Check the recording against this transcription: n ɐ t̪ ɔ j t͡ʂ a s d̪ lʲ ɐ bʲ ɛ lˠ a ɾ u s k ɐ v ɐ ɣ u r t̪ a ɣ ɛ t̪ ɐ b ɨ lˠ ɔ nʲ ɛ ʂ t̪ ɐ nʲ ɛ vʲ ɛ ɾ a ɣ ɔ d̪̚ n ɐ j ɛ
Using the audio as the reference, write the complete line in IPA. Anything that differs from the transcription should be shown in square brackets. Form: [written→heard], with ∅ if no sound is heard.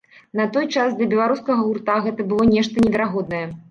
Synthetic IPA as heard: n ɐ t̪ ɔ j t͡ʂ a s d̪ lʲ ɐ bʲ ɛ lˠ a ɾ u s k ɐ [v→ɣ] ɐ ɣ u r t̪ a ɣ ɛ t̪ ɐ b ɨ lˠ ɔ nʲ ɛ ʂ t̪ ɐ nʲ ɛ vʲ ɛ ɾ a ɣ ɔ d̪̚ n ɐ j ɛ